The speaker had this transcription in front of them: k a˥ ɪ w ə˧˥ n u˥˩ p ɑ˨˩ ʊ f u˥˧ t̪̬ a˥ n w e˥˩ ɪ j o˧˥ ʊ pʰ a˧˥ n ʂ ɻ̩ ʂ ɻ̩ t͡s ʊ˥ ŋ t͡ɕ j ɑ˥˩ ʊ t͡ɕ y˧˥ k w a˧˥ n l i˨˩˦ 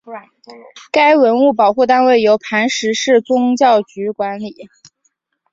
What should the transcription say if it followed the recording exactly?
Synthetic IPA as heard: k a˥ ɪ w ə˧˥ n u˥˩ p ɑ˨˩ ʊ x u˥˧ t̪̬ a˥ n w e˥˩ ɪ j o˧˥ ʊ pʰ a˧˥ n ʂ ɻ̩ ʂ ɻ̩ t͡s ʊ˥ ŋ t͡ɕ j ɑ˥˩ ʊ t͡ɕ y˧˥ k w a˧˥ n l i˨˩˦